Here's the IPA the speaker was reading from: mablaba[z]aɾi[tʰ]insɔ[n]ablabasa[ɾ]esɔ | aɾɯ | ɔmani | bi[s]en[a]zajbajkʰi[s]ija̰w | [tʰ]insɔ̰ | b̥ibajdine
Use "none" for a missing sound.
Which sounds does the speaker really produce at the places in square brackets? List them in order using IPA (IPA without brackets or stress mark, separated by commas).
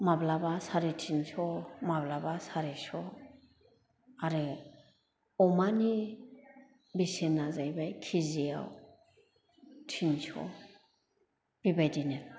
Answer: s, tʰ, m, ɾ, s, a, z, tʰ